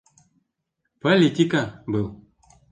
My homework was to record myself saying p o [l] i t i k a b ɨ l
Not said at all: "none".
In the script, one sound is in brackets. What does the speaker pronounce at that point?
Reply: l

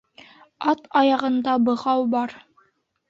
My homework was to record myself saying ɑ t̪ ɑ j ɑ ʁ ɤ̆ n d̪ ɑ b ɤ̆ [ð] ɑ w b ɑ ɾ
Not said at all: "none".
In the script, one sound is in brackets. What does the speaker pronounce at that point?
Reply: ʁ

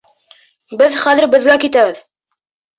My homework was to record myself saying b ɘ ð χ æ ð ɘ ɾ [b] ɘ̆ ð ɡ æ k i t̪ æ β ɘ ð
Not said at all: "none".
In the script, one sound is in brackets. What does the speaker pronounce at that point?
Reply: b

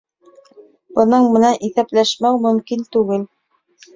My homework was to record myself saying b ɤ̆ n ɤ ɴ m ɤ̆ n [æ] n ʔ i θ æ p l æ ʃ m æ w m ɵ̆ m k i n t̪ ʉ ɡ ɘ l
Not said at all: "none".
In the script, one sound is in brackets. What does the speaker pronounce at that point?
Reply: æ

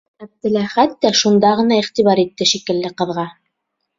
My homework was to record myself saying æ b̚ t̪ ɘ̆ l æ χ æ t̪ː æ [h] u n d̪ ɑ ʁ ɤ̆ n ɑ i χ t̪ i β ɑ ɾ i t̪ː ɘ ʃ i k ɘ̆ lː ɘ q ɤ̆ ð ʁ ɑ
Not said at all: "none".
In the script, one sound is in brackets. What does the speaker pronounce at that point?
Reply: ʃ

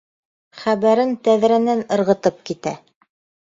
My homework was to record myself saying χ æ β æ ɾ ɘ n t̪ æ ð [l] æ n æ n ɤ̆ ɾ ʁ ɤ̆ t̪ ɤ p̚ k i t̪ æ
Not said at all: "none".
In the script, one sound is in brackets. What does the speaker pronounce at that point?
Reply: ɾ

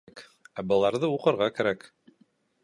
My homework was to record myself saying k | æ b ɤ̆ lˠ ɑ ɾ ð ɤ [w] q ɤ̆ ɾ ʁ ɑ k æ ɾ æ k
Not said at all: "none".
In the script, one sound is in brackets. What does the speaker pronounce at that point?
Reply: u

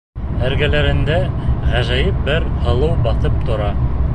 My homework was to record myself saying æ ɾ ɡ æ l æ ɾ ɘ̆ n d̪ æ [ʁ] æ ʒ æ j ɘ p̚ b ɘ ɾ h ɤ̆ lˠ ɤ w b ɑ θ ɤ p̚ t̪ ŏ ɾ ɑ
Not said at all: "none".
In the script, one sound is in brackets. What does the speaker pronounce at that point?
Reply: ʁ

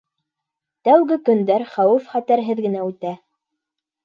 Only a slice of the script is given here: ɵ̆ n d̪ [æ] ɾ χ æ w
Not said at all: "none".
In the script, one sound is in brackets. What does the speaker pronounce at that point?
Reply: æ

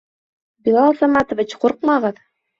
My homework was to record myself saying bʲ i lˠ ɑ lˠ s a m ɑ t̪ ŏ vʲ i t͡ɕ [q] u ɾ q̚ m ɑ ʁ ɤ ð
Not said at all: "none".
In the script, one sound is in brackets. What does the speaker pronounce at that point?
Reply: q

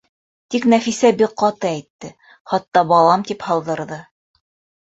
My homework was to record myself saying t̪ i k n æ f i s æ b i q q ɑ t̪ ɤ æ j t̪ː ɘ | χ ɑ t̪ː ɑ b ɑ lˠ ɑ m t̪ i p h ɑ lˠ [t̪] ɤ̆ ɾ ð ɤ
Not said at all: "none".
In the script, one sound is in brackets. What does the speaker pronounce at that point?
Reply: d̪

